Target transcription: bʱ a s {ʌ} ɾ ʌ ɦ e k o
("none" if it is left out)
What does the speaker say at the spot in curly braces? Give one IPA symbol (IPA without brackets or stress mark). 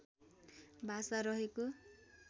a